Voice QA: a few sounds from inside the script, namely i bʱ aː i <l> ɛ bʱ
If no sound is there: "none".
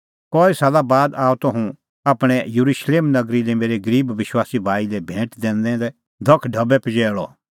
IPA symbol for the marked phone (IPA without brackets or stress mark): l